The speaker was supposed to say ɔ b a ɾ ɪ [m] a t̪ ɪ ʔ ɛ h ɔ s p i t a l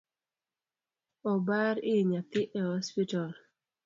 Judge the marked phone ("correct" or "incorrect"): incorrect